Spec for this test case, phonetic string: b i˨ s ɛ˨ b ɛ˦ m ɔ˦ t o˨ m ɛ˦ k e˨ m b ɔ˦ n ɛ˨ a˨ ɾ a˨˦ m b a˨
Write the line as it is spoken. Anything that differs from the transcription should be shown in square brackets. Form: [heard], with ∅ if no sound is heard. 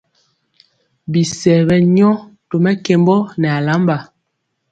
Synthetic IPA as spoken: b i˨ s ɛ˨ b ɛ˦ [ɲ] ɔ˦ t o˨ m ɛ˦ k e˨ m b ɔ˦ n ɛ˨ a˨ [l] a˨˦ m b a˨

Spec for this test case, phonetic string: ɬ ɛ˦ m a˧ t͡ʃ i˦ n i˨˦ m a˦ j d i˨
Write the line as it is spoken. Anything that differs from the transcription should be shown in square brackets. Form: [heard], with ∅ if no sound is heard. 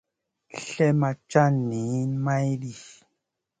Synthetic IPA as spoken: ɬ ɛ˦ m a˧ t͡ʃ [a˦] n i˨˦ m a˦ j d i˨

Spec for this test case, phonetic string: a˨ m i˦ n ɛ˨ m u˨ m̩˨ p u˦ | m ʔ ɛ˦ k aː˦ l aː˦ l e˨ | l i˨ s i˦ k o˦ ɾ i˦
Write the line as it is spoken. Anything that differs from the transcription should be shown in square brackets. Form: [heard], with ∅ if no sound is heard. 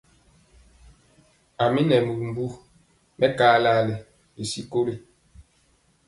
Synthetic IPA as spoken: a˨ m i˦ n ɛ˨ m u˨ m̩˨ [b] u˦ | m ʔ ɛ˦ k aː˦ l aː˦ l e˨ | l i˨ s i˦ k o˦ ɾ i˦

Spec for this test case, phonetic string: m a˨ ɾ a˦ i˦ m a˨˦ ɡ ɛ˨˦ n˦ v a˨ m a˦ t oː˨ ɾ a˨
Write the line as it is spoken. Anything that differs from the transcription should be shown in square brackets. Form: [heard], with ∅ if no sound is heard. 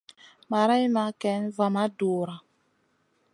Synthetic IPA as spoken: m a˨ ɾ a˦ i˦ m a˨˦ [k] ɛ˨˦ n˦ v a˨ m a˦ [d] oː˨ ɾ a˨

